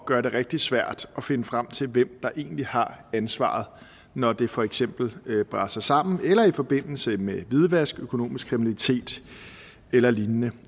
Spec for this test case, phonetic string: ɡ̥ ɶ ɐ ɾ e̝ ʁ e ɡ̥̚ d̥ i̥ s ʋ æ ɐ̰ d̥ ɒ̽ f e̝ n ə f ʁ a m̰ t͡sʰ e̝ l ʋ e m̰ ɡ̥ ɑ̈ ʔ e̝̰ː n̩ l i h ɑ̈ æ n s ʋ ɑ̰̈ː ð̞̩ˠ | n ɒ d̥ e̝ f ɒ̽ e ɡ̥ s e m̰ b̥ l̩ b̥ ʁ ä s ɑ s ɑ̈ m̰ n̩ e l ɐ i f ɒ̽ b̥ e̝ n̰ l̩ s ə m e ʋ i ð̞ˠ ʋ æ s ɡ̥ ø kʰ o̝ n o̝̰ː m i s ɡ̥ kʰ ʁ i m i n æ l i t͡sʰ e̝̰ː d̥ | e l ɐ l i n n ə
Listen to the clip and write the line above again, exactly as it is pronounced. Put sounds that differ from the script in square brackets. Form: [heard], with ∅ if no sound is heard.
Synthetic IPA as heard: ɡ̥ ɶ ɐ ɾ e̝ ʁ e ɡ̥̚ d̥ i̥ s ʋ æ ɐ̰ d̥ ɒ̽ f e̝ n ə f ʁ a m̰ t͡sʰ e̝ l ʋ e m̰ [d̥] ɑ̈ ʔ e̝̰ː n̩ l i h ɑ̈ æ n s ʋ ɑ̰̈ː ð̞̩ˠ | n ɒ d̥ e̝ f ɒ̽ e ɡ̥ s e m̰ b̥ l̩ b̥ ʁ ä s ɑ s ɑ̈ m̰ n̩ e l ɐ i f ɒ̽ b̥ e̝ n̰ l̩ s ə m e ʋ i ð̞ˠ ʋ æ s ɡ̥ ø kʰ o̝ n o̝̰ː m i s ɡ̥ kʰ ʁ i m i n æ l i t͡sʰ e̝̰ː d̥ | e l ɐ l i n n ə